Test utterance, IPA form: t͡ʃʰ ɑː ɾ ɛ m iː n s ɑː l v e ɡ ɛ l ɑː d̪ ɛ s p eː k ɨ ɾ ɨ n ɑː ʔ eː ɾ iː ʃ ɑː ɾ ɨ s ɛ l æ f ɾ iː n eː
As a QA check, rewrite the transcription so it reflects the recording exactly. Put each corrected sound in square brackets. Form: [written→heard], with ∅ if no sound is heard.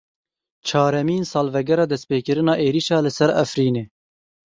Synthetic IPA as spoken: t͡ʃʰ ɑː ɾ ɛ m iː n s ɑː l v [e→ɛ] ɡ ɛ [l→ɾ] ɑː d̪ ɛ s p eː k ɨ ɾ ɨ n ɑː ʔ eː ɾ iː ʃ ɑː [ɾ→l] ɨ s ɛ [l→ɾ] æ f ɾ iː n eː

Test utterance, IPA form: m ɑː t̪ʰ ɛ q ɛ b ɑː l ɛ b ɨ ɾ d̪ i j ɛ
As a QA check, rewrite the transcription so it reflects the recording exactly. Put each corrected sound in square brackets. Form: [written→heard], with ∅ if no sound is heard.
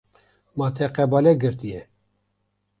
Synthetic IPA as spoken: m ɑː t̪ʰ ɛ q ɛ b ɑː l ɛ [b→ɡ] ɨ ɾ [d̪→t̪] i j ɛ

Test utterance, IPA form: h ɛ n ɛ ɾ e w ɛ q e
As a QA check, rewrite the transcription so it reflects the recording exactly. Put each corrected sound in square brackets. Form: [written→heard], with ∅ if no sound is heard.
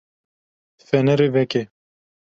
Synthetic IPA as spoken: [h→f] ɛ n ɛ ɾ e [w→v] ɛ [q→k] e

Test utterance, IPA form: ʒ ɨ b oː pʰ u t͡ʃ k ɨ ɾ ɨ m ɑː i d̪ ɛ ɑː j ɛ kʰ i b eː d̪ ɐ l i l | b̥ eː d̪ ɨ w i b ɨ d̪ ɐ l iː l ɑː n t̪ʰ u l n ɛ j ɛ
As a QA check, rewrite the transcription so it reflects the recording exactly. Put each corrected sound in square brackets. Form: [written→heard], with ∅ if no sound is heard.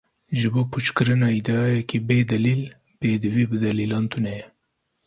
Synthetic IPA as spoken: ʒ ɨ b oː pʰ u t͡ʃ k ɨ ɾ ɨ [m→n] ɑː i d̪ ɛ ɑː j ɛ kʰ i b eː d̪ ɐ l i l | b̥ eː d̪ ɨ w i b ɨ d̪ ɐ l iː l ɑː n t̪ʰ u [l→∅] n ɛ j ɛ

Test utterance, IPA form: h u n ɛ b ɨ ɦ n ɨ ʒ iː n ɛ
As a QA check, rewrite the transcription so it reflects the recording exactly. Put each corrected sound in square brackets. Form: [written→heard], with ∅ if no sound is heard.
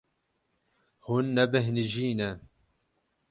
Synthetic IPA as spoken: h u [n→nː] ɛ b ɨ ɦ n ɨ ʒ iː n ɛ

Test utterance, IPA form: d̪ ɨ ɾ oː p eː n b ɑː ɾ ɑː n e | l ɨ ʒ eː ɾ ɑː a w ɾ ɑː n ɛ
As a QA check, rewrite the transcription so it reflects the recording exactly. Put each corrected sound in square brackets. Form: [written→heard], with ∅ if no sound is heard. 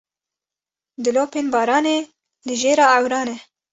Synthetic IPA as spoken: d̪ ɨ [ɾ→l] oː p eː n b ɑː ɾ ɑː n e | l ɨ ʒ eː ɾ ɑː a w ɾ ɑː n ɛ

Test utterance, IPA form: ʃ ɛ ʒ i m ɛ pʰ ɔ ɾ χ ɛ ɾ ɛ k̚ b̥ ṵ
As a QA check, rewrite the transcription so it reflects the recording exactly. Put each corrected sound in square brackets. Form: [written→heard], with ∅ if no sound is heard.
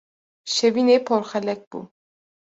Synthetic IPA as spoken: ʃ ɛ [ʒ→v] i [m→n] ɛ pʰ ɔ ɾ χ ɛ [ɾ→l] ɛ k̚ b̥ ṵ

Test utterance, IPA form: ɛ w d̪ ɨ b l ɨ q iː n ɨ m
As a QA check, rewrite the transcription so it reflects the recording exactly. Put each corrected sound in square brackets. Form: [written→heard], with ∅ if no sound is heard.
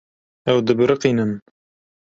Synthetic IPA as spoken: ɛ w d̪ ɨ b [l→ɾ] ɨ q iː n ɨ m

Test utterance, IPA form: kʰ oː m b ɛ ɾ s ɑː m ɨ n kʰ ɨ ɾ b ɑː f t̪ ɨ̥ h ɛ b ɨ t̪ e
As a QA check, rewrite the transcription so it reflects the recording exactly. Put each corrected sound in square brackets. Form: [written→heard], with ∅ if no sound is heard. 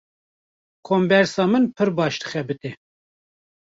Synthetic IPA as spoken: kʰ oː m b ɛ ɾ s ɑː m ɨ n [kʰ→pʰ] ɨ ɾ b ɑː [f→ʃ] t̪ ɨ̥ [h→x] ɛ b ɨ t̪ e

